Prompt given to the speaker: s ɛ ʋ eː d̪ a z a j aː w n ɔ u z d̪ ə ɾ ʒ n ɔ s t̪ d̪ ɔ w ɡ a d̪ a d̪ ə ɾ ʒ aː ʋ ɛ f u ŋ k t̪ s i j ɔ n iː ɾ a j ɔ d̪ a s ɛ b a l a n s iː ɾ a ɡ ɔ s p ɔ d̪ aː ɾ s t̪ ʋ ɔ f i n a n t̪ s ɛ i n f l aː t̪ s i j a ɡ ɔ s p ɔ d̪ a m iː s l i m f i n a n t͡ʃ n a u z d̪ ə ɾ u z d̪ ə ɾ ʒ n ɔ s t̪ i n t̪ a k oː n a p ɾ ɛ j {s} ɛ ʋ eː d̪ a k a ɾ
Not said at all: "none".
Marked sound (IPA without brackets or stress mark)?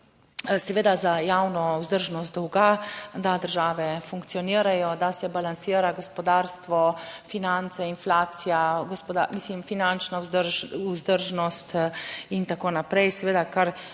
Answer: s